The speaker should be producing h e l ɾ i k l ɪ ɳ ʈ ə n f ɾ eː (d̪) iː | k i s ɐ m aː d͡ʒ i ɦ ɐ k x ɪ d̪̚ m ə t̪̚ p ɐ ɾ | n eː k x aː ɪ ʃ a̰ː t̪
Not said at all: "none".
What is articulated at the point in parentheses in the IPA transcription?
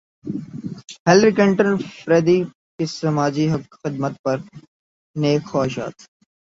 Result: d̪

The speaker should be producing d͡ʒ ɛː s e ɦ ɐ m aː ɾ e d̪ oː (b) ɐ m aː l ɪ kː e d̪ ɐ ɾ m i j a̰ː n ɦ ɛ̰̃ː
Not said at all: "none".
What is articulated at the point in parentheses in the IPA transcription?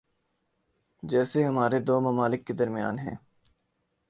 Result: m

